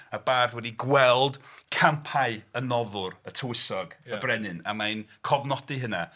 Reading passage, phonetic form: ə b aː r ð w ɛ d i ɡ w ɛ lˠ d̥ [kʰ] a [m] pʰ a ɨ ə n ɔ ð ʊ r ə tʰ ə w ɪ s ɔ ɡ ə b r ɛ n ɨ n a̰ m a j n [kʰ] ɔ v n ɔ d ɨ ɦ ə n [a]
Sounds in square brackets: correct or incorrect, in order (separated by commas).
correct, correct, correct, correct